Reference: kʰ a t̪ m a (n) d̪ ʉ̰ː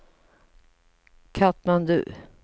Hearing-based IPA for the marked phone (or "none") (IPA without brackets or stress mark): n